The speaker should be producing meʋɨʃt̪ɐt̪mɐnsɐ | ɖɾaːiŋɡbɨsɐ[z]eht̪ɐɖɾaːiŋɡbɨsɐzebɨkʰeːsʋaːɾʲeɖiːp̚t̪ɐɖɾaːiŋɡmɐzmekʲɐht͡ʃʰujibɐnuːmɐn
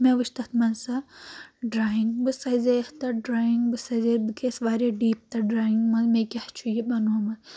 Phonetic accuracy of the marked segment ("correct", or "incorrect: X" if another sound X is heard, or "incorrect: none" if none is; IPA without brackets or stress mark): correct